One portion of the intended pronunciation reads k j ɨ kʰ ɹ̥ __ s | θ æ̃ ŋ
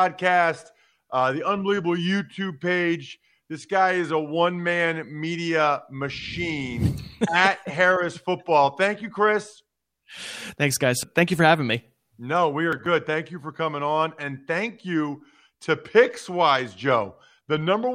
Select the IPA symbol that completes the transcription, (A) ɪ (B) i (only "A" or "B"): A